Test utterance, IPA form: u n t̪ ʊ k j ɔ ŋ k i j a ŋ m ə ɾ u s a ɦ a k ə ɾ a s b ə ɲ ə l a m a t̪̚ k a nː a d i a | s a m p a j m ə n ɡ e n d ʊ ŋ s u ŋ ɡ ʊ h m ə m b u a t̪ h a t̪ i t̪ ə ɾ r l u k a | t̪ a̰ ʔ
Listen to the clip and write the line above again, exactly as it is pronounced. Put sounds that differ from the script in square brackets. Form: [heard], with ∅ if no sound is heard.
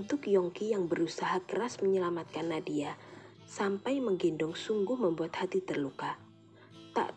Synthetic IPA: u n t̪ ʊ k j ɔ ŋ k i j a ŋ [b] ə ɾ u s a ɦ a k ə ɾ a s [m] ə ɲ ə l a m a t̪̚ k a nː a d i a | s a m p a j m ə [ŋ] ɡ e n d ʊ ŋ s u ŋ ɡ ʊ h m ə m b u a t̪ h a t̪ i t̪ ə [∅] r l u k a | t̪ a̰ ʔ